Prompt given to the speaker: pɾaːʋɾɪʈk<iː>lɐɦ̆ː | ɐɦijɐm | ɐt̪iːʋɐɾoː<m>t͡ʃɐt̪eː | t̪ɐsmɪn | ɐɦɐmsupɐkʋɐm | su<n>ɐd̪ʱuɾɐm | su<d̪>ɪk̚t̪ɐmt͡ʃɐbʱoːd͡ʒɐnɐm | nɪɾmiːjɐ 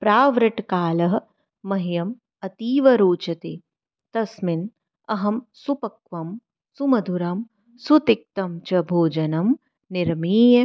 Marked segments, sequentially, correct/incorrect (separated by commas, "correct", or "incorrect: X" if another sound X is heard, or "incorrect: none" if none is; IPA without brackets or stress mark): incorrect: aː, incorrect: none, incorrect: m, incorrect: t̪